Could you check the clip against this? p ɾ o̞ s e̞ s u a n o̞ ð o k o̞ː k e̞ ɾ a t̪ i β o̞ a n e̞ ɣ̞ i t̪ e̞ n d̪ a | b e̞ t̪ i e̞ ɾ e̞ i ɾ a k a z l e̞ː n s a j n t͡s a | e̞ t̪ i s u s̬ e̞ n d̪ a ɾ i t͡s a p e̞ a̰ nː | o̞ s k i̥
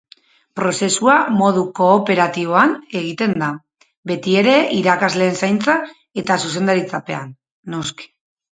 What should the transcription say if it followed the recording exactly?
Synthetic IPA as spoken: p ɾ o̞ s e̞ s u a m o̞ ð u k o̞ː p e̞ ɾ a t̪ i β o̞ a n e̞ ɣ̞ i t̪ e̞ n d̪ a | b e̞ t̪ i e̞ ɾ e̞ i ɾ a k a z l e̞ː n s a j n t͡s a | e̞ t̪ a s u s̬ e̞ n d̪ a ɾ i t͡s a p e̞ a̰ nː | o̞ s k i̥

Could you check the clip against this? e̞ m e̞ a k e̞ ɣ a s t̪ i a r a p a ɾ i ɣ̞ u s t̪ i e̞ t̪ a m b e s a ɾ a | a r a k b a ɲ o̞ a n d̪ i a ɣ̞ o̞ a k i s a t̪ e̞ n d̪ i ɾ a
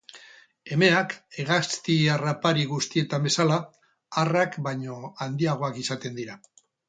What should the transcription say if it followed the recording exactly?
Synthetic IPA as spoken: e̞ m e̞ a k e̞ ɣ a s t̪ i a r a p a ɾ i ɣ̞ u s t̪ i e̞ t̪ a m b e s a l a | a r a k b a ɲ o̞ a n d̪ i a ɣ̞ o̞ a k i s a t̪ e̞ n d̪ i ɾ a

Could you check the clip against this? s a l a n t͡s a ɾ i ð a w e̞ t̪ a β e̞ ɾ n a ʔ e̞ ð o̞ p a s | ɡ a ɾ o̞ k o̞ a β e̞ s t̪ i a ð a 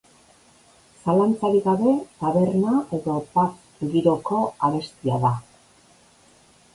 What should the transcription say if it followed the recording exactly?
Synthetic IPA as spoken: s a l a n t͡s a ɾ i ɣ a β e̞ t̪ a β e̞ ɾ n a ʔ e̞ ð o̞ p a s | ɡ i ɾ o̞ k o̞ a β e̞ s t̪ i a ð a

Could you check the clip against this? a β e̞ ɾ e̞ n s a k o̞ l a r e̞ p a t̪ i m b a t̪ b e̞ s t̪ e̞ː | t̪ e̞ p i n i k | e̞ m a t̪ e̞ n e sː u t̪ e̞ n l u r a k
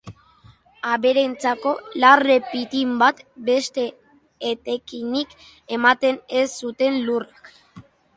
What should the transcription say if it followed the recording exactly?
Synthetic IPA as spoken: a β e̞ ɾ e̞ n t͡s a k o̞ l a r e̞ p i t̪ i m b a t̪ b e̞ s t̪ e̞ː | t̪ e̞ k i n i k | e̞ m a t̪ e̞ n e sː u t̪ e̞ n l u r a k

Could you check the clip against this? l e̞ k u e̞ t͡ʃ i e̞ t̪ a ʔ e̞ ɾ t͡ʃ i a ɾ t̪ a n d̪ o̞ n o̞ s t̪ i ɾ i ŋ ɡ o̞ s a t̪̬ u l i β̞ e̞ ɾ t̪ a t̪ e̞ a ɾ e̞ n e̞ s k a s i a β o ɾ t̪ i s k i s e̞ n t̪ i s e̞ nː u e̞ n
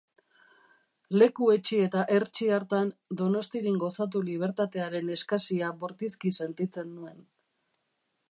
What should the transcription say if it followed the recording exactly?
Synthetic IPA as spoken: l e̞ k u e̞ t͡ʃ i e̞ t̪ a ʔ e̞ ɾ t͡ʃ i a ɾ t̪ a n d̪ o̞ n o̞ s t̪ i ɾ i ŋ ɡ o̞ s a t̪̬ u l i β̞ e̞ ɾ t̪ a t̪ e̞ a ɾ e̞ n e̞ s k a s i a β o ɾ t̪ i s k i s e̞ n t̪ i t͡s e̞ nː u e̞ n

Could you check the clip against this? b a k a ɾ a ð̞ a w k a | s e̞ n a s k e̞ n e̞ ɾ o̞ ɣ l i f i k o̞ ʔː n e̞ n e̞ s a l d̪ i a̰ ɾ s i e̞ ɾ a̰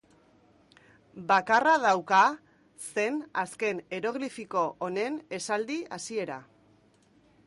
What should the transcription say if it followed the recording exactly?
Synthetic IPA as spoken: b a k a r a ð̞ a w k a | s e̞ n a s k e̞ n e̞ ɾ o̞ ɣ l i f i k o̞ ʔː n e̞ n e̞ s a l d̪ i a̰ s i e̞ ɾ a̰

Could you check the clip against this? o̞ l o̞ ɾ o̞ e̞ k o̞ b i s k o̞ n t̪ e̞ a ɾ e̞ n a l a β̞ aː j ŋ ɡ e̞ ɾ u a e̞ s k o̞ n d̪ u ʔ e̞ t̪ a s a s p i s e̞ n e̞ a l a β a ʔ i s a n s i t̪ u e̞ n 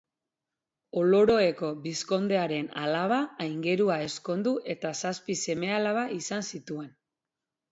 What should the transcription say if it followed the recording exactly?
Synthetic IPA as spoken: o̞ l o̞ ɾ o̞ e̞ k o̞ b i s k o̞ n d̪ e̞ a ɾ e̞ n a l a β̞ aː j ŋ ɡ e̞ ɾ u a e̞ s k o̞ n d̪ u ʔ e̞ t̪ a s a s p i s e̞ m e̞ a l a β a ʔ i s a n s i t̪ u e̞ n

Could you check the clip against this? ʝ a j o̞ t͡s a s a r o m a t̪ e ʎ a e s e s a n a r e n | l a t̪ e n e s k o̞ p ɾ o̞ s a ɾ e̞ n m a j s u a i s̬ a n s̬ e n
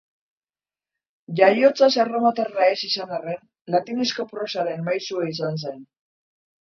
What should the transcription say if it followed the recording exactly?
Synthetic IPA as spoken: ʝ a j o̞ t͡s a s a r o m a t̪ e r a e s i s a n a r e n | l a t̪ i n e s k o̞ p ɾ o̞ s a ɾ e̞ n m a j s u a i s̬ a n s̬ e n

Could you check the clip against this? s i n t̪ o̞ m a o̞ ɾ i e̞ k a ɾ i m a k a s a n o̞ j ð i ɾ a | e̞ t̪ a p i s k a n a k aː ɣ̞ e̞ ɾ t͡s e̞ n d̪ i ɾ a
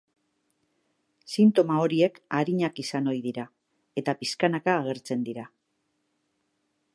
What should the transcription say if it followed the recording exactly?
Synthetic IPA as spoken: s i n t̪ o̞ m a o̞ ɾ i e̞ k a ɾ i ɲ a k i s a n o̞ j ð i ɾ a | e̞ t̪ a p i s k a n a k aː ɣ̞ e̞ ɾ t͡s e̞ n d̪ i ɾ a

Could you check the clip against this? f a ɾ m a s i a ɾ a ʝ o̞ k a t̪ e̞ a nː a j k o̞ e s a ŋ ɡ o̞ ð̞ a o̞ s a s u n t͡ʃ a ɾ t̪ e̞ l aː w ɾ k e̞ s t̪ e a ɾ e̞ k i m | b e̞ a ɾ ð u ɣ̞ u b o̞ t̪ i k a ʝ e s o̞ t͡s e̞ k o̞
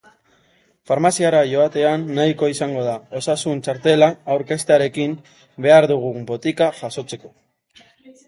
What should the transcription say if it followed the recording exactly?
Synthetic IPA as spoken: f a ɾ m a s i a ɾ a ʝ o̞ a t̪ e̞ a nː a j k o̞ i s a ŋ ɡ o̞ ð̞ a o̞ s a s u n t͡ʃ a ɾ t̪ e̞ l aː w ɾ k e̞ s t̪ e a ɾ e̞ k i m | b e̞ a ɾ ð u ɣ̞ u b o̞ t̪ i k a ʝ a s o̞ t͡s e̞ k o̞

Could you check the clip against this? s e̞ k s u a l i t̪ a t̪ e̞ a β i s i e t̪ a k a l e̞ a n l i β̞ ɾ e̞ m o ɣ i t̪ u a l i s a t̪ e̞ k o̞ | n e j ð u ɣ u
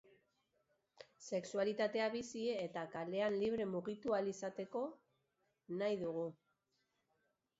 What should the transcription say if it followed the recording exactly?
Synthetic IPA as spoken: s e̞ k s u a l i t̪ a t̪ e̞ a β i s i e t̪ a k a l e̞ a n l i β̞ ɾ e̞ m u ɣ i t̪ u a l i s a t̪ e̞ k o̞ | n a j ð u ɣ u

